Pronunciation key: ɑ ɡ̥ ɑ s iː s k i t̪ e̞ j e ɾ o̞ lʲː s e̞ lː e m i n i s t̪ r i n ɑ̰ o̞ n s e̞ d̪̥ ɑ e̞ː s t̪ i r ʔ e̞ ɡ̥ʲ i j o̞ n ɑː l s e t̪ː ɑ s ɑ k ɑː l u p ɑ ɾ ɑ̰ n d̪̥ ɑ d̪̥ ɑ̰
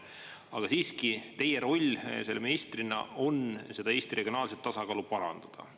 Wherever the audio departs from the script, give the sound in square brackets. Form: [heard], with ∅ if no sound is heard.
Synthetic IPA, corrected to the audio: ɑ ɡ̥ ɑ s iː s k i t̪ e̞ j e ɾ o̞ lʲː s e̞ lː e m i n i s t̪ r i n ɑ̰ o̞ n s e̞ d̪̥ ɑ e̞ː s t̪ i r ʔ e̞ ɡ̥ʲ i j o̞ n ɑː l s e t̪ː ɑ s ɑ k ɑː l u p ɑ ɾ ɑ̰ n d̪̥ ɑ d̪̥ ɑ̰